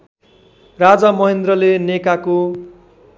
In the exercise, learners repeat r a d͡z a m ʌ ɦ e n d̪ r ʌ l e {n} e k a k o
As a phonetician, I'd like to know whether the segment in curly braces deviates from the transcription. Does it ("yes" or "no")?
no